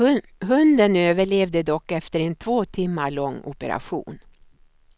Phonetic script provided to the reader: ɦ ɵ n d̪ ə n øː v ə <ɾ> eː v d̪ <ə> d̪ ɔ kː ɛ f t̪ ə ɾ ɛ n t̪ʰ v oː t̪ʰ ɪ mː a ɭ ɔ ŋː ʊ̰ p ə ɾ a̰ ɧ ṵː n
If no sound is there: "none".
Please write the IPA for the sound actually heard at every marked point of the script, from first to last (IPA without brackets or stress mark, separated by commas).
ɭ, ə